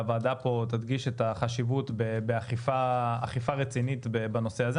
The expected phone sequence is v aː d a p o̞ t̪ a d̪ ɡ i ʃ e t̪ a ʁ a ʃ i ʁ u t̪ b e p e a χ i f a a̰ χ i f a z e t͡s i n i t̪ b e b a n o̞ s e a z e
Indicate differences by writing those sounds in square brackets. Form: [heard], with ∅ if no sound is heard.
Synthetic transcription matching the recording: v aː d a p o̞ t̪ a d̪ ɡ i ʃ e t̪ a [χ] a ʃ i [v] u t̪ b e [b] e a χ i f a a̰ χ i f a [ʁ] e t͡s i n i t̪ b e b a n o̞ s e a z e